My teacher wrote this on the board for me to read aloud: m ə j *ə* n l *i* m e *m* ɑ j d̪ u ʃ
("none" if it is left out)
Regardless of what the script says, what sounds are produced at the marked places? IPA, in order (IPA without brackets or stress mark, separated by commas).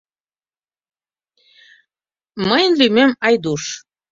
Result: ə, y, m